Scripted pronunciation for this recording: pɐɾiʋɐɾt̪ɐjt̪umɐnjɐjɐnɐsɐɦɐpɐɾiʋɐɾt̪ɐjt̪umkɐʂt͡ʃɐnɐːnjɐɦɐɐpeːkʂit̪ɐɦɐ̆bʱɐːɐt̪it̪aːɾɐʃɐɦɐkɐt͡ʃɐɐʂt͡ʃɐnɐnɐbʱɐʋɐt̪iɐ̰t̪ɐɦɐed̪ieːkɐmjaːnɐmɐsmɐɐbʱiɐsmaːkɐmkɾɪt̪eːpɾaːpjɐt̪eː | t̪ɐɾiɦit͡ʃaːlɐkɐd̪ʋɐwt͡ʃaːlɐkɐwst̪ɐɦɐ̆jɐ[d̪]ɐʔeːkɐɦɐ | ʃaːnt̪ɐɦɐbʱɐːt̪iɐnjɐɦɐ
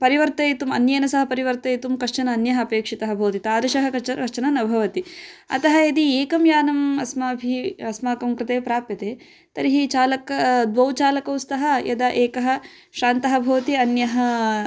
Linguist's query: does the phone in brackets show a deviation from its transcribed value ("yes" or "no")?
no